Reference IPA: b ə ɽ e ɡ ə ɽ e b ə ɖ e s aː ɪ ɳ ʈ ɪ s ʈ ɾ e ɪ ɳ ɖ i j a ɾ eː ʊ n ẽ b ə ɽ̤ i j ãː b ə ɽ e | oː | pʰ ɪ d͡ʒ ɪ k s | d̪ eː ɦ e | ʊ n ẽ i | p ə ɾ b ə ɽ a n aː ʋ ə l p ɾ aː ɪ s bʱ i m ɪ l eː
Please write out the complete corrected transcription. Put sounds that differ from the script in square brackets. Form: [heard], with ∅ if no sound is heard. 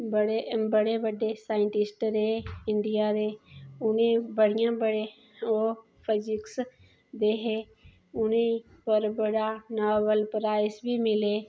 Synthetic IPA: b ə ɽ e [b] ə ɽ e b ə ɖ e s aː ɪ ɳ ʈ ɪ s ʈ ɾ e ɪ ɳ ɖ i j a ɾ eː ʊ n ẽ b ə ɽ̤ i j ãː b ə ɽ e | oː | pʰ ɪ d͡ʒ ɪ k s | d̪ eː ɦ e | ʊ n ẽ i | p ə ɾ b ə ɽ a n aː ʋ ə l p ɾ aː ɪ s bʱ i m ɪ l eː